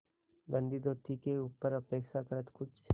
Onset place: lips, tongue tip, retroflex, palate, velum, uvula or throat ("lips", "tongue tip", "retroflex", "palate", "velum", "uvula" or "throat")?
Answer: velum